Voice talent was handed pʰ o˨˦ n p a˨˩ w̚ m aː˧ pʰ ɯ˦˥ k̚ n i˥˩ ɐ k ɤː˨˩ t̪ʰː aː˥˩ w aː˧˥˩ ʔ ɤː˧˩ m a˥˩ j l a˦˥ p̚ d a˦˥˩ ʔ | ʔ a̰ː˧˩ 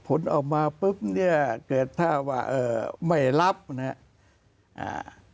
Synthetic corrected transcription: pʰ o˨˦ n ʔ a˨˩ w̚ m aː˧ p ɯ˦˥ p̚ n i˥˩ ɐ k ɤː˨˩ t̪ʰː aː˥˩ w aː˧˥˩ ʔ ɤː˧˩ m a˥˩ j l a˦˥ p̚ n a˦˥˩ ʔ | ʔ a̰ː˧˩